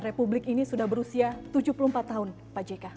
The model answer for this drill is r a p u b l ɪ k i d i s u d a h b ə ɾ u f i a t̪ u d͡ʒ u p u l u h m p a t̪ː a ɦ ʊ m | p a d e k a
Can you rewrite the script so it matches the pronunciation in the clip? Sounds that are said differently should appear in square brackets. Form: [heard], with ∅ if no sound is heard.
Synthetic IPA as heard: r [e] p u b l ɪ k i [n] i s u d a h b ə ɾ u [s] i a t̪ u d͡ʒ u p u l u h m p a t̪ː a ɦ ʊ [n] | p a [d͡ʒ] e k a